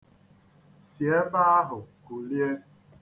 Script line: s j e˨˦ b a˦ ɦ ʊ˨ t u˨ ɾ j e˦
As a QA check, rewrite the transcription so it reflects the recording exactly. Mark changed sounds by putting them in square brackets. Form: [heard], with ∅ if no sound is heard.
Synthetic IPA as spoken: s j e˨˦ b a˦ ɦ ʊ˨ [k] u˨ [l] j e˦